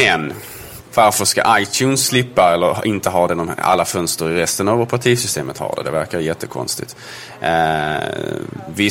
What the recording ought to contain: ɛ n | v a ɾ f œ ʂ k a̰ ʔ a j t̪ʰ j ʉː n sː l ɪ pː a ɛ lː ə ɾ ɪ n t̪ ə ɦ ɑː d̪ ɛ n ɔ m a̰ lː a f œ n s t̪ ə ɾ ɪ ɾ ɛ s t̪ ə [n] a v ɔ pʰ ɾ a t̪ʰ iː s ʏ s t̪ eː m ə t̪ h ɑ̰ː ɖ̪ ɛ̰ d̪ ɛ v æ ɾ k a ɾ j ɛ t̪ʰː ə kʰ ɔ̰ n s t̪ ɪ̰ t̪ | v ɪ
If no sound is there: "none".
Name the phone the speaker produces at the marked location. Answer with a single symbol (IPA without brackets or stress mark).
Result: n